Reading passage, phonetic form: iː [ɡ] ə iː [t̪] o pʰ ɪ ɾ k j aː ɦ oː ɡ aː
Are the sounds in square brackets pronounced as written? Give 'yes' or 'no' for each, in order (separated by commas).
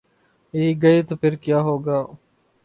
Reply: yes, yes